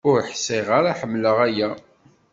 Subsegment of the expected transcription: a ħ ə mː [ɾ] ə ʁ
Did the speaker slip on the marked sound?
yes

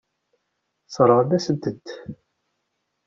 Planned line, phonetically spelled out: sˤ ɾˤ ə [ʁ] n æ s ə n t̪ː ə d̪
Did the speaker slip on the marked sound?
no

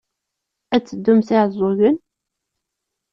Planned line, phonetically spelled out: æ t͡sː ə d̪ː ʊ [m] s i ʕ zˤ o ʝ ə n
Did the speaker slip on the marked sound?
no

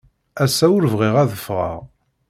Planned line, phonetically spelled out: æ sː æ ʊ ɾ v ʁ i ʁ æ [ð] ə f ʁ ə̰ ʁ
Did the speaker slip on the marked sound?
no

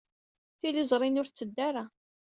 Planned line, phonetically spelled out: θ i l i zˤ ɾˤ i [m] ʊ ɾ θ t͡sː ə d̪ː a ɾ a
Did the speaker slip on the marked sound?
yes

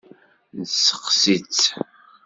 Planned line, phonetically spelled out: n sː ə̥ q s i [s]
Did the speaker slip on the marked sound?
yes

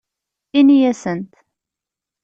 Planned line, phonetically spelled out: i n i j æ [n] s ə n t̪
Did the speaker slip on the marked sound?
yes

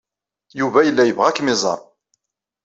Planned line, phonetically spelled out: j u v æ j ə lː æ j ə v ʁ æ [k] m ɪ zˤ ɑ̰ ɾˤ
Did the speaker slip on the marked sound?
no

